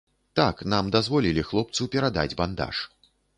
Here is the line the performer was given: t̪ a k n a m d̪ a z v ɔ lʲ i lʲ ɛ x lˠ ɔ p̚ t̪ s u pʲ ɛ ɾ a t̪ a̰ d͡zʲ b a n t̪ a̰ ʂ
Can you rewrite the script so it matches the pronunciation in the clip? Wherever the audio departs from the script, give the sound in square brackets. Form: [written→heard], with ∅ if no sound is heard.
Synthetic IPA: t̪ a k n a m d̪ a z v ɔ lʲ i lʲ [ɛ→i] x lˠ ɔ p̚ t̪ s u pʲ ɛ ɾ a [t̪→d̪] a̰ d͡zʲ b a n [t̪→d̪] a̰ ʂ